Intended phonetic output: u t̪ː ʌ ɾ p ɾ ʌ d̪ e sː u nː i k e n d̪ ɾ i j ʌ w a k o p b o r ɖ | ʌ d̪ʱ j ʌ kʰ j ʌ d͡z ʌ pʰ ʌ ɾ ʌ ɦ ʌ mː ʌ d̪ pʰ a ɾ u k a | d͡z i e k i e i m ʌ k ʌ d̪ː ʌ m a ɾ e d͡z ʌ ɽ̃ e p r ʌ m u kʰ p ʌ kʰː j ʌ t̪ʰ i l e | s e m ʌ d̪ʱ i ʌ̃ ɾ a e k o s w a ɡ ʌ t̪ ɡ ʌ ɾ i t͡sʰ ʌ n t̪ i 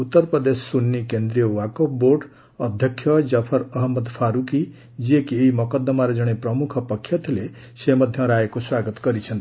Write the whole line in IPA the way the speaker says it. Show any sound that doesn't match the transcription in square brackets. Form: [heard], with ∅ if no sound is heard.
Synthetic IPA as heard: u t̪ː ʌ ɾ p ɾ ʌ d̪ e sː u nː i k e n d̪ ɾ i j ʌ w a k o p b o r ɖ | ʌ d̪ʱ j ʌ kʰ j ʌ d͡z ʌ pʰ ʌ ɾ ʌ ɦ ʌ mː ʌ d̪ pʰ a ɾ u k [i] | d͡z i e k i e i m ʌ k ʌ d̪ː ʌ m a ɾ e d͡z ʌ ɽ̃ e p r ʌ m u kʰ p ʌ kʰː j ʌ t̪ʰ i l e | s e m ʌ d̪ʱ [j] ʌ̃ ɾ a e k o s w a ɡ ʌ t̪ ɡ ʌ ɾ i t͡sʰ ʌ n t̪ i